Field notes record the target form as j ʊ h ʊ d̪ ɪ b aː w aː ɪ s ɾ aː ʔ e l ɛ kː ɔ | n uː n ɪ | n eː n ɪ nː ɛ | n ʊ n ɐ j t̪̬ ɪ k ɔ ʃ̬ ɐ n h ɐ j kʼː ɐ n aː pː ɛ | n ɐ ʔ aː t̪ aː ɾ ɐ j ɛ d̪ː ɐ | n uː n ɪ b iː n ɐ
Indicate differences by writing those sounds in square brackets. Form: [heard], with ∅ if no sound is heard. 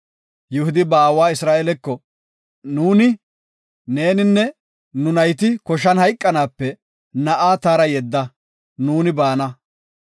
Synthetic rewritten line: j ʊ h ʊ d̪ ɪ b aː w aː ɪ s ɾ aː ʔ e l ɛ kː ɔ | n uː n ɪ | n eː n ɪ nː ɛ | n ʊ n ɐ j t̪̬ ɪ k ɔ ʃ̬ ɐ n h ɐ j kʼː ɐ n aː pː ɛ | n ɐ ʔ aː t̪ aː ɾ ɐ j ɛ d̪ː ɐ | n uː n ɪ b [aː] n ɐ